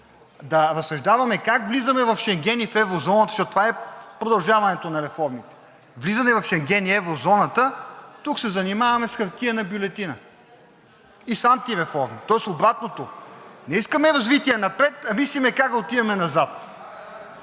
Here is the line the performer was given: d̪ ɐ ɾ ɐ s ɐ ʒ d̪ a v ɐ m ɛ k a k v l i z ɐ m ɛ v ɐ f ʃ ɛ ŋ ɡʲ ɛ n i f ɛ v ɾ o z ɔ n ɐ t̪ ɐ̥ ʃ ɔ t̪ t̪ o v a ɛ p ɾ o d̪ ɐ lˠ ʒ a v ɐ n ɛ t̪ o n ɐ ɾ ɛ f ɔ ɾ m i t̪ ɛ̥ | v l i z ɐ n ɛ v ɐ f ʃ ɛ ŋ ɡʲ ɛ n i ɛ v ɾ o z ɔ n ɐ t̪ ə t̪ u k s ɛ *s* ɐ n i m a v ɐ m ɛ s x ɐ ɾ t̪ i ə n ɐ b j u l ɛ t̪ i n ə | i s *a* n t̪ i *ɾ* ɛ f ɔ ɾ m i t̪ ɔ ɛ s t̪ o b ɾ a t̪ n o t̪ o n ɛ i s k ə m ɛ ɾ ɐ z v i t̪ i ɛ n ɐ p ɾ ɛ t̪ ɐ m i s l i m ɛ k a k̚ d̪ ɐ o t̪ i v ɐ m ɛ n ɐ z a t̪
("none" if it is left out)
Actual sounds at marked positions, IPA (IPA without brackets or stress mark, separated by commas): z, a, ɾ